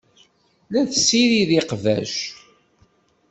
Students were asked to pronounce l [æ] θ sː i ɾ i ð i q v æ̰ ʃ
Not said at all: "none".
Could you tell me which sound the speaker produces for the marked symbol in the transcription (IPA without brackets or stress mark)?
æ